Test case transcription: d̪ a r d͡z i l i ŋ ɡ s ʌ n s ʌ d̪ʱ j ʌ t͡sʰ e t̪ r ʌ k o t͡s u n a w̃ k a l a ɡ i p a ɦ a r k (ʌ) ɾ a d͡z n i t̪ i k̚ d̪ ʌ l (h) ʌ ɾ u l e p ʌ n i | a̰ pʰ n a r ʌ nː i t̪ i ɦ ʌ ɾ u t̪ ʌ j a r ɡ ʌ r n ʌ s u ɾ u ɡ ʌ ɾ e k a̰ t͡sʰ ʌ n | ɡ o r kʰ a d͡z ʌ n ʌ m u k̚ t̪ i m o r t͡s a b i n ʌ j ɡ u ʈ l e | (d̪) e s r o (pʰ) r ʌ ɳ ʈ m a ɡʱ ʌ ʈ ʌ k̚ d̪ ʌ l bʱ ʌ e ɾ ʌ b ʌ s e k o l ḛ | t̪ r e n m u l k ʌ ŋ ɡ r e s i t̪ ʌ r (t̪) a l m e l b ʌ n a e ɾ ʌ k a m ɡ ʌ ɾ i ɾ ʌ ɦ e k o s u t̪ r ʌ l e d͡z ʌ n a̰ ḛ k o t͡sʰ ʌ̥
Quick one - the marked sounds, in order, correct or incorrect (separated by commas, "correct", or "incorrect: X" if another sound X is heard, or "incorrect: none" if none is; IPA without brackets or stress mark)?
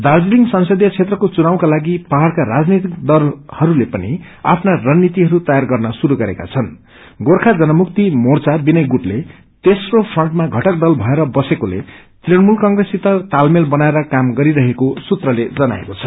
incorrect: a, correct, incorrect: t̪, correct, correct